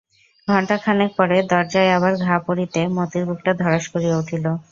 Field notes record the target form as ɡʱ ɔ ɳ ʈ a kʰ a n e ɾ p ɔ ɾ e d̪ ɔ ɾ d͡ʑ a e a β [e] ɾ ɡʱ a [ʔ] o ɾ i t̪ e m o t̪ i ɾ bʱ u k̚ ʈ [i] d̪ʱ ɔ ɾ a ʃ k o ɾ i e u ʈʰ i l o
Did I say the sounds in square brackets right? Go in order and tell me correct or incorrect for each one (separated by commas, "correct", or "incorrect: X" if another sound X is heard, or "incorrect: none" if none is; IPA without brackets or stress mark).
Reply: incorrect: a, incorrect: p, incorrect: a